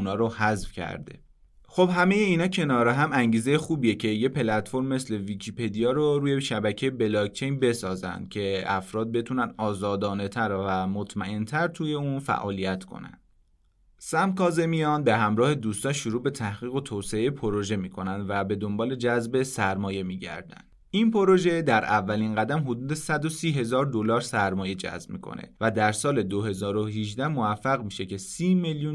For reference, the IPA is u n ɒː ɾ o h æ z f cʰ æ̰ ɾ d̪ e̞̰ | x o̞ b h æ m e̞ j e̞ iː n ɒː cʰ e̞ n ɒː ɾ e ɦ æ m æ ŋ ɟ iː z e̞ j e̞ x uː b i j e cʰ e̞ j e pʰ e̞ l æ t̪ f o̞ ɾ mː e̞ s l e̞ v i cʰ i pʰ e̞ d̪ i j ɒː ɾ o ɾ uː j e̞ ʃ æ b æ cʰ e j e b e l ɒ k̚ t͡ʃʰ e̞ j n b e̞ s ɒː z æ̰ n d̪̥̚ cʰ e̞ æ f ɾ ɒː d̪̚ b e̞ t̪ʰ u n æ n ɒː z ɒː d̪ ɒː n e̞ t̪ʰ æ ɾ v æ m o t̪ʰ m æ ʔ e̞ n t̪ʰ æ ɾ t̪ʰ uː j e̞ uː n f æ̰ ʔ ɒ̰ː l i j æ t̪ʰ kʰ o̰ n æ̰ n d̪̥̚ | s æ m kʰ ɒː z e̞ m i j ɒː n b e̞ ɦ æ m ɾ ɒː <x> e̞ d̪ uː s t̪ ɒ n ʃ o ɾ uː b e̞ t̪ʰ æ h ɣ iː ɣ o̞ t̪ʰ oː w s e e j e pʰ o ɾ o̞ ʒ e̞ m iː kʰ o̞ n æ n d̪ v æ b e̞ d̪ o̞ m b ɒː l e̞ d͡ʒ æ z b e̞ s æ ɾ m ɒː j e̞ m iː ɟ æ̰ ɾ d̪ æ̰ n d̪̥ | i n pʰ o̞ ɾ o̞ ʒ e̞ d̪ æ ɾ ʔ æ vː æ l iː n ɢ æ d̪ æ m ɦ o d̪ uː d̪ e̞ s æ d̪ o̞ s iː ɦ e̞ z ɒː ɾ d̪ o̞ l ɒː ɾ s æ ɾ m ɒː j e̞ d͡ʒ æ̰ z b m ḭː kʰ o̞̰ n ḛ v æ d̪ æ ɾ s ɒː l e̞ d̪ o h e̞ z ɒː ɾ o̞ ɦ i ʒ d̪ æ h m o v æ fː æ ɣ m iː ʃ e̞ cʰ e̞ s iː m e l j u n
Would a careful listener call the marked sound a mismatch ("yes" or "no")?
yes